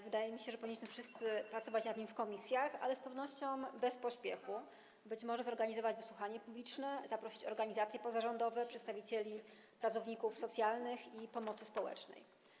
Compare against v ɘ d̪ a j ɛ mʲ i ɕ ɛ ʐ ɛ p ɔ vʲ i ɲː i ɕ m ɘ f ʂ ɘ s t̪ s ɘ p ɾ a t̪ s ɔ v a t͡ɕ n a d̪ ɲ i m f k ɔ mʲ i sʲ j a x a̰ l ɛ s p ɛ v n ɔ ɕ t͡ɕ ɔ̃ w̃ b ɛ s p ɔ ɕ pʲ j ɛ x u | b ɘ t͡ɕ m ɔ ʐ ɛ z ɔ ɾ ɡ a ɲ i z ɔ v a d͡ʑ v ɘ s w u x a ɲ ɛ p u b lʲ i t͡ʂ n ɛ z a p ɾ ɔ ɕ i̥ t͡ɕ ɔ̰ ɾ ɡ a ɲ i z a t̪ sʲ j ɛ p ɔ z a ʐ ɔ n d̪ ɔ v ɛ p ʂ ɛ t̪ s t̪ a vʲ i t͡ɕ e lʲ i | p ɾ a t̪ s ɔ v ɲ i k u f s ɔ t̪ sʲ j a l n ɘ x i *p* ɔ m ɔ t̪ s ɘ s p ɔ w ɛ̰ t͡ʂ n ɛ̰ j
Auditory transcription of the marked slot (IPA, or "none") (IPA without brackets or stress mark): p